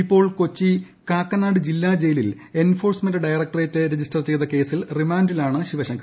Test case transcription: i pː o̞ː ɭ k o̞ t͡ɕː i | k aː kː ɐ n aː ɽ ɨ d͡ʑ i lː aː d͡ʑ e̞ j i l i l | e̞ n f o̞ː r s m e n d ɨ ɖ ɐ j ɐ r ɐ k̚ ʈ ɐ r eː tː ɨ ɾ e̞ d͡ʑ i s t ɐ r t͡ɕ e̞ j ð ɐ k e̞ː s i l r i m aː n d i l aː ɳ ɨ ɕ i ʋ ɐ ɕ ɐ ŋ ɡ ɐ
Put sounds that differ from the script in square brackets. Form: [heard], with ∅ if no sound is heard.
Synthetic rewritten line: i pː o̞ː ɭ k o̞ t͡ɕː i | k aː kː ɐ n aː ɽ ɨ d͡ʑ i lː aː d͡ʑ e̞ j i l i l | e̞ n f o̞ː r s m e n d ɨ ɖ ɐ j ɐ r ɐ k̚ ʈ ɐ r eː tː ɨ ɾ e̞ d͡ʑ i s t ɐ r t͡ɕ e̞ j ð ɐ k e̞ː s i l r i m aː n d i l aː ɳ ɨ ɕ i ʋ ɐ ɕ ɐ ŋ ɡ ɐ

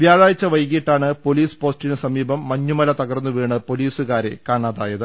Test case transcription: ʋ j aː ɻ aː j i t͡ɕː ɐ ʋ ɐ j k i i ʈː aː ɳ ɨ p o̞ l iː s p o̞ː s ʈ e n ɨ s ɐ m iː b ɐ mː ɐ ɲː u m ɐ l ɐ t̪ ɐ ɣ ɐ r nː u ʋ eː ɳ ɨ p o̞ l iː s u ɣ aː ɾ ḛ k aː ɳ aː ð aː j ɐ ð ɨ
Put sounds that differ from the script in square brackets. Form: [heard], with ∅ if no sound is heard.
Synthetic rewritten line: ʋ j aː ɻ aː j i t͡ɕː ɐ ʋ ɐ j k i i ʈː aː ɳ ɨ p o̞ l iː s p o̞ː s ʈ [i] n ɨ s ɐ m iː b ɐ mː ɐ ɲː u m ɐ l ɐ t̪ ɐ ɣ ɐ r nː u ʋ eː ɳ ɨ p o̞ l iː s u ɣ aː ɾ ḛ k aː ɳ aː ð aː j ɐ ð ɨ

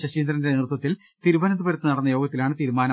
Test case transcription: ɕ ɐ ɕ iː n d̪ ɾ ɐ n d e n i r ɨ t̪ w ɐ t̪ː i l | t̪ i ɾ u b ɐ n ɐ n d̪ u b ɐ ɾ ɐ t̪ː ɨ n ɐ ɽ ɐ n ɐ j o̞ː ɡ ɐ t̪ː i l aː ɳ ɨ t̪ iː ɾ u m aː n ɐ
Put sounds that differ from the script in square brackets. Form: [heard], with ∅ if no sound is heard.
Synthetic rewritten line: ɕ ɐ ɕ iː n d̪ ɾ ɐ n d e n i r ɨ t̪ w ɐ t̪ː i l | t̪ i ɾ u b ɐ n ɐ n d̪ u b ɐ ɾ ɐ t̪ː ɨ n ɐ ɽ ɐ [nː] ɐ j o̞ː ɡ ɐ t̪ː i l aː ɳ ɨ t̪ iː ɾ u m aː n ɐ

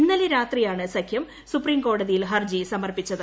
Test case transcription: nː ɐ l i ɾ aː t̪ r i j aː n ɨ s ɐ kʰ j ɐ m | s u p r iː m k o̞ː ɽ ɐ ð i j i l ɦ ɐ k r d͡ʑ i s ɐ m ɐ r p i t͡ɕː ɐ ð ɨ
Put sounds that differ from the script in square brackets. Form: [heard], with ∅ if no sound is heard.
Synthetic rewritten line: nː ɐ l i ɾ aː t̪ r i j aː [ɳ] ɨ s ɐ kʰ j ɐ m | s u p r iː m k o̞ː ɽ ɐ ð i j i l ɦ ɐ [∅] r d͡ʑ i s ɐ m ɐ r p i t͡ɕː ɐ ð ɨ

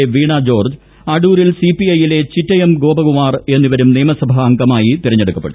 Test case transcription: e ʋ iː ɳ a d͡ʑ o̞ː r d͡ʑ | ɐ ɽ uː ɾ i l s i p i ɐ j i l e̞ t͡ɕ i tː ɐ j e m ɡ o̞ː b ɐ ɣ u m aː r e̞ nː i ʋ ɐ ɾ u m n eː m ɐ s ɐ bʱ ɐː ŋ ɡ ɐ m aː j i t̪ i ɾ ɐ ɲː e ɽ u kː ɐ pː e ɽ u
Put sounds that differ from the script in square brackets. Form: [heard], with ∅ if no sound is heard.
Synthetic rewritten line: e ʋ iː ɳ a d͡ʑ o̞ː r d͡ʑ | ɐ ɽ uː ɾ i l s i p i ɐ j i l e̞ t͡ɕ i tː ɐ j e m ɡ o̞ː b ɐ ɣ u m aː r e̞ nː i ʋ ɐ ɾ u m n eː m ɐ s ɐ bʱ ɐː ŋ ɡ ɐ m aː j i t̪ i ɾ ɐ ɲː e ɽ u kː ɐ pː e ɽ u

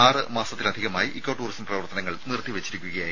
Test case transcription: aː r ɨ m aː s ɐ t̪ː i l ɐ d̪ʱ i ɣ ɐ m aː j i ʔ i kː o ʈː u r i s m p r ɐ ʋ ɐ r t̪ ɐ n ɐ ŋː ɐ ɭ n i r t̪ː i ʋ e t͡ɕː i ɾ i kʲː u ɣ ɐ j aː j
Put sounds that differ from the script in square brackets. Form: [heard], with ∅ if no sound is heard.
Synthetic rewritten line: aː r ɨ m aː s ɐ t̪ː i l ɐ d̪ʱ i ɣ ɐ m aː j i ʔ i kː o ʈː [uː] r i s m p r ɐ ʋ ɐ r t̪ ɐ n ɐ ŋː ɐ ɭ n i r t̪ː i ʋ e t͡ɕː i ɾ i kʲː u ɣ ɐ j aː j

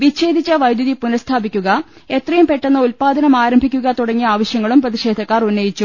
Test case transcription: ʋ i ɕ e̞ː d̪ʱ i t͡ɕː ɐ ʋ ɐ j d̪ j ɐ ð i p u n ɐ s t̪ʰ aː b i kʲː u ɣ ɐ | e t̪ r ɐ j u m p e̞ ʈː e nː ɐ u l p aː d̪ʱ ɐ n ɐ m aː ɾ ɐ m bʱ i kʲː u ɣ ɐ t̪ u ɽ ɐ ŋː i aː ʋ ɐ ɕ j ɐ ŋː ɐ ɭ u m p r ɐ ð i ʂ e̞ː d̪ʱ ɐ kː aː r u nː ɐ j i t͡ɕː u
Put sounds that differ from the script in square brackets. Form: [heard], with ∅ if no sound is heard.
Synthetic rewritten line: ʋ i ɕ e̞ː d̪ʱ i t͡ɕː ɐ ʋ ɐ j d̪ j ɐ ð i p u n ɐ s t̪ʰ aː b i kʲː u ɣ ɐ | e t̪ r ɐ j u m p e̞ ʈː e nː ɐ u l p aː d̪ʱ ɐ n ɐ m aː ɾ ɐ m bʱ i kʲː u ɣ ɐ t̪ u ɽ ɐ ŋː i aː ʋ ɐ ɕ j ɐ ŋː ɐ ɭ u m p r ɐ ð i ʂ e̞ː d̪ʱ ɐ kː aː r u nː ɐ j i t͡ɕː u

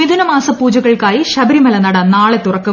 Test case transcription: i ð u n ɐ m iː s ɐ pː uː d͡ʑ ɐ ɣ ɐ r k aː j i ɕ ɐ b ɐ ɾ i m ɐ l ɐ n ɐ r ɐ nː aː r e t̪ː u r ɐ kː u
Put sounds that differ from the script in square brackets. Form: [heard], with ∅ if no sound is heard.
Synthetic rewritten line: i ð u n ɐ m [aː] s ɐ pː uː d͡ʑ ɐ ɣ ɐ [ɭ] k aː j i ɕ ɐ b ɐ ɾ i m ɐ l ɐ n ɐ [ɽ] ɐ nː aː [ɭ] e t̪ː u r ɐ kː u

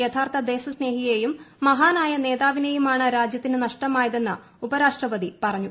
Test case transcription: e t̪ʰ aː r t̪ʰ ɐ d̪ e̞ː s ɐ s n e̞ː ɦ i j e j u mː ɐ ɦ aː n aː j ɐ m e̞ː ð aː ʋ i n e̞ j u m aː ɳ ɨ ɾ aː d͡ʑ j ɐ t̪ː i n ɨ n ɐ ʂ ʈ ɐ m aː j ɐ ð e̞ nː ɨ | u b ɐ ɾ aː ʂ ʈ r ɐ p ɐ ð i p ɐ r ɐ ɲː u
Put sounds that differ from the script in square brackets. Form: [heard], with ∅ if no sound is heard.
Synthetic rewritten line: e t̪ʰ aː r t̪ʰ ɐ d̪ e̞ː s ɐ s n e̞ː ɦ i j e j u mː ɐ ɦ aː n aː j ɐ [n] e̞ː ð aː ʋ i n e̞ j u m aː ɳ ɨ ɾ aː d͡ʑ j ɐ t̪ː i n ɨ n ɐ ʂ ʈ ɐ m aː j ɐ ð e̞ nː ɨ | u b ɐ ɾ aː ʂ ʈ r ɐ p ɐ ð i p ɐ r ɐ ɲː u

